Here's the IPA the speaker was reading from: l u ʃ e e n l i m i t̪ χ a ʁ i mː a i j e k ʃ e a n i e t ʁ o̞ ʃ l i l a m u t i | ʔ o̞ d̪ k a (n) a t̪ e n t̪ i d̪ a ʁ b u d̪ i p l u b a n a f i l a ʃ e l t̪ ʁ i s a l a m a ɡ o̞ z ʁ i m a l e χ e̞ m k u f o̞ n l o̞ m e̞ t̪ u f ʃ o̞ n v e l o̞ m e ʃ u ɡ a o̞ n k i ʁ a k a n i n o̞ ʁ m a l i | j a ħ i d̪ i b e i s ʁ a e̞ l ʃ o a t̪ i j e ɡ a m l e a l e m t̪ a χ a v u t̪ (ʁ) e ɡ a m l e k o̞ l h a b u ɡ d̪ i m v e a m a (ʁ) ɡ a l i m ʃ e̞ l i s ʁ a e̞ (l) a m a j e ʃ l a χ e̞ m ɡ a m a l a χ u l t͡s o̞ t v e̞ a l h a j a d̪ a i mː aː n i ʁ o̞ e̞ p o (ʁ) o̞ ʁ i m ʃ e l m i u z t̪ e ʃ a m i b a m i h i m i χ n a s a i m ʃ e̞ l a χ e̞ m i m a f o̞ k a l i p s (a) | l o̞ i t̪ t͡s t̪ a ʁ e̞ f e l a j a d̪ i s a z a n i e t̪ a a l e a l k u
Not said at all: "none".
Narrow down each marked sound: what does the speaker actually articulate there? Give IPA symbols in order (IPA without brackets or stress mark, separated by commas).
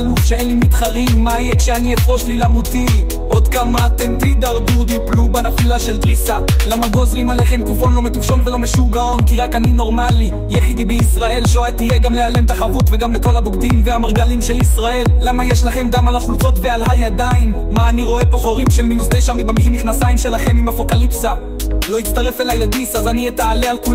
m, v, ʁ, lː, χ, a